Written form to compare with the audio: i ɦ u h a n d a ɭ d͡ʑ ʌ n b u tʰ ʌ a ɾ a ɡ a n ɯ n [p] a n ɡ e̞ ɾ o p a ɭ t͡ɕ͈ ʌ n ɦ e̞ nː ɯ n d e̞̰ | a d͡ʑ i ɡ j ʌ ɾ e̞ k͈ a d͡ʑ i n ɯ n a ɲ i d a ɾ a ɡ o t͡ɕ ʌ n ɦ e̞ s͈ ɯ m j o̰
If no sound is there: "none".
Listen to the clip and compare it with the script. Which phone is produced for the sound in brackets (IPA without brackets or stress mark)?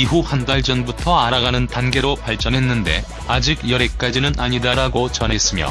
t